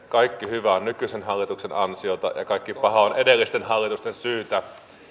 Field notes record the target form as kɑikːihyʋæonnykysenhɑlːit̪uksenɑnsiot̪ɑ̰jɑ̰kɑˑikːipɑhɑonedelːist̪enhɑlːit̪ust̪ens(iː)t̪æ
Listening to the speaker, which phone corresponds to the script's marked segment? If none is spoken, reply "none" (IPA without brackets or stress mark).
yː